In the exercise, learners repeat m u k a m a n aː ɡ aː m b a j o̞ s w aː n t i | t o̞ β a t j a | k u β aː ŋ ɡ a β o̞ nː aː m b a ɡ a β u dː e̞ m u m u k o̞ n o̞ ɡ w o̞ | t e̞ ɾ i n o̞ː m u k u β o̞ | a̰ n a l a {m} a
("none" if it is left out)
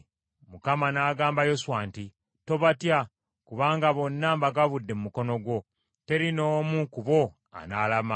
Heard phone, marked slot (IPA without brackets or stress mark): m